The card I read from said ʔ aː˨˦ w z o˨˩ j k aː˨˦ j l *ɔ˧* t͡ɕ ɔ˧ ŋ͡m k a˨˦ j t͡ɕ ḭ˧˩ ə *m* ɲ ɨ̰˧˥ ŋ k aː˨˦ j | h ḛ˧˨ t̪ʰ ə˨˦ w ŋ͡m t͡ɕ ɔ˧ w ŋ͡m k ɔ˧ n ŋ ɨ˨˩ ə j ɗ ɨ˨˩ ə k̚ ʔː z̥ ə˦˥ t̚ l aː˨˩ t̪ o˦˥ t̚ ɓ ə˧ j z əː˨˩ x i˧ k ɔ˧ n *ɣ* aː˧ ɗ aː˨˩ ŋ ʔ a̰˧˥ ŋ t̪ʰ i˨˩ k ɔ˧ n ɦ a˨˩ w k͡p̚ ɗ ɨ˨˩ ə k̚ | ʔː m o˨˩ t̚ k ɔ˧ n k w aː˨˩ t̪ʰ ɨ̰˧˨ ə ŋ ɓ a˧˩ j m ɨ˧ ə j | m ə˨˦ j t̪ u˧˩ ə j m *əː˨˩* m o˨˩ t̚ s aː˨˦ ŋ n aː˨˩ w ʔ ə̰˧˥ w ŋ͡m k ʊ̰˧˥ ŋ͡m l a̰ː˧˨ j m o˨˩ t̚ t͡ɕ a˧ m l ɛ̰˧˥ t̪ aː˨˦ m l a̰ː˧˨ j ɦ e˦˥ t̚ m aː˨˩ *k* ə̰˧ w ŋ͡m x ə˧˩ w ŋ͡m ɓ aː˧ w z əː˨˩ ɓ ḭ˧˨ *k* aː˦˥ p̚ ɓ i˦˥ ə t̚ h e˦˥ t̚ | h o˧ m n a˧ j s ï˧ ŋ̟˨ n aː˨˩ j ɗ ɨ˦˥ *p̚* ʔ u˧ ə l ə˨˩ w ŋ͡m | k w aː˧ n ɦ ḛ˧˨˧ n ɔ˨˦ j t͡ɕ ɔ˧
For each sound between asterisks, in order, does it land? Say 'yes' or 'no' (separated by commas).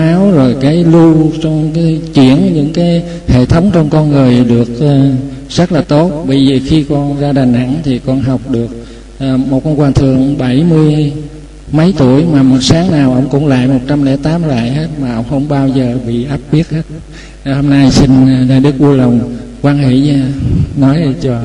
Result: no, no, no, no, no, no, no